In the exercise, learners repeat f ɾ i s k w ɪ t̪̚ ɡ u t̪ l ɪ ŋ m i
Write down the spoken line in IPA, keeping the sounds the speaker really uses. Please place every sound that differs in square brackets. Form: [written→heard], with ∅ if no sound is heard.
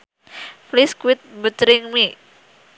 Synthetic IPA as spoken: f [ɾ→l] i s k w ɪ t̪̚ [ɡ→b] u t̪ [l→ɾ] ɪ ŋ m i